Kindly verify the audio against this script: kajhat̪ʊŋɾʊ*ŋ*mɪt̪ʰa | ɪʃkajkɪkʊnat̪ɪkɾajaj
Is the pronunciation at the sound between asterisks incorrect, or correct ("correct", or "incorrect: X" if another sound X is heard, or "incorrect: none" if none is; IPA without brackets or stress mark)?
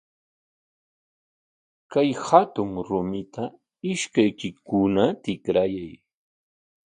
incorrect: none